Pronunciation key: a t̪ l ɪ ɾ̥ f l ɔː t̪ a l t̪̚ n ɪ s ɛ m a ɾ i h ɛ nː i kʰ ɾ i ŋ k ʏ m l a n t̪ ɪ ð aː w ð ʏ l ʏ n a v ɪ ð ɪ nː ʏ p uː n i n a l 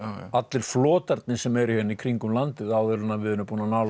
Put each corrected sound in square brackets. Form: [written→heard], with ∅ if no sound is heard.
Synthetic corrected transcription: a t̪ l ɪ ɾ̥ f l ɔː t̪ a [l→ɾ] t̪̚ n ɪ s ɛ m [a→ɛ] ɾ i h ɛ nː i kʰ ɾ i ŋ k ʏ m l a n t̪ ɪ ð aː w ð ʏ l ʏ n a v ɪ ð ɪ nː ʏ p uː n [i→a] n a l